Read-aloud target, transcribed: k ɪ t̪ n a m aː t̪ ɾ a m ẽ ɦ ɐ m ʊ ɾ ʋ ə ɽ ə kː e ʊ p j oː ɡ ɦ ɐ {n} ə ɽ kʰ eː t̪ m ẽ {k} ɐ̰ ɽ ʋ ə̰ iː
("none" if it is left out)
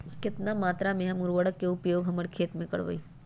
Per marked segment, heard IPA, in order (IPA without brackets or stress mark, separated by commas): m, k